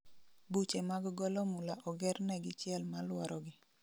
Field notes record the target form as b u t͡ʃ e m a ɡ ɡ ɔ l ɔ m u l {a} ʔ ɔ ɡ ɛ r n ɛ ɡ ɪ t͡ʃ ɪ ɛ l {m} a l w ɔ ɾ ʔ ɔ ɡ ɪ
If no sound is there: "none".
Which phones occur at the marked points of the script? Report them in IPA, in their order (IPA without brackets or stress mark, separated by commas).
a, m